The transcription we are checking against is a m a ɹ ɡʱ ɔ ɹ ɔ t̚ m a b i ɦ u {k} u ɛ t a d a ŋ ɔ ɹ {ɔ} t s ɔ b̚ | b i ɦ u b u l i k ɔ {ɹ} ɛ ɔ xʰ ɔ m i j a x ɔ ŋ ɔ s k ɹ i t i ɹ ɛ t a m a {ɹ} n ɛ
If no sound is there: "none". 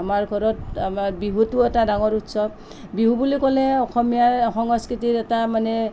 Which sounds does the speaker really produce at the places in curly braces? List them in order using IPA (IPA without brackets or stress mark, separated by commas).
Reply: t, u, l, none